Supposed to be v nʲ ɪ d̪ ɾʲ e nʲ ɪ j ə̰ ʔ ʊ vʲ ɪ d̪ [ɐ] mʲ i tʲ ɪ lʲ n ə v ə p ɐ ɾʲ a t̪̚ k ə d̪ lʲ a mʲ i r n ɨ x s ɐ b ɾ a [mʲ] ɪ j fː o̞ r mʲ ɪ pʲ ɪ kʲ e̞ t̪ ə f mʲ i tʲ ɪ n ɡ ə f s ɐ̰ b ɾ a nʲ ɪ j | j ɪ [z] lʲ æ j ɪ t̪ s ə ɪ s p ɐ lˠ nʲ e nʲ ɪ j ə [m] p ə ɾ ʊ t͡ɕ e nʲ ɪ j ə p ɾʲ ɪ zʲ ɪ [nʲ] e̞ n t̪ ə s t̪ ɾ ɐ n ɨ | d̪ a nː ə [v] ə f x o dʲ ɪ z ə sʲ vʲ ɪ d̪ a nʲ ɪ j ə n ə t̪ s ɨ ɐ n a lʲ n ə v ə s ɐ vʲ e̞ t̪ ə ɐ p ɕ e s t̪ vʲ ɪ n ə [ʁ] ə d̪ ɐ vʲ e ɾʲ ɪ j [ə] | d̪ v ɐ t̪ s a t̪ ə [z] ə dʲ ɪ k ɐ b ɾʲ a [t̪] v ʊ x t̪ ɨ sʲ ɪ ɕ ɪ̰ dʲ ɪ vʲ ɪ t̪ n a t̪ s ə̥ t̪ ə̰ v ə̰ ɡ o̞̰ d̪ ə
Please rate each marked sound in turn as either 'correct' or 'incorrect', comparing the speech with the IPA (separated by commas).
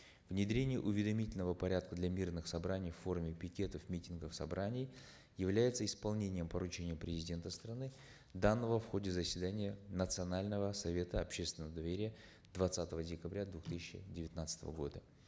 correct, incorrect, incorrect, correct, incorrect, correct, incorrect, correct, incorrect, incorrect